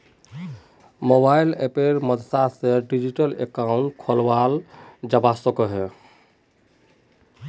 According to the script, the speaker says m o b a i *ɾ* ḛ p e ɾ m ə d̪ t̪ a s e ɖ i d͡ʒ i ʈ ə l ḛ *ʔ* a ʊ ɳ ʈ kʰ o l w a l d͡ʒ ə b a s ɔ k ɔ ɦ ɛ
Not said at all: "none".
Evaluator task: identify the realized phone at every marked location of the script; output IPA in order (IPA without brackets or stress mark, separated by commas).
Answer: l, k